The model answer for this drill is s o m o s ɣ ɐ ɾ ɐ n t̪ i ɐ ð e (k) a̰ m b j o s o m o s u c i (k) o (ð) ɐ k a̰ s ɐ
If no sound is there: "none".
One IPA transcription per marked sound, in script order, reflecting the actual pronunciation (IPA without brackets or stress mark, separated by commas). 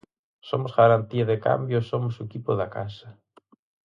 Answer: k, p, ð